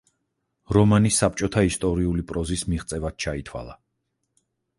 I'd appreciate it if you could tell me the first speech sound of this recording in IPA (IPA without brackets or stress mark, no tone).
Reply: ɾ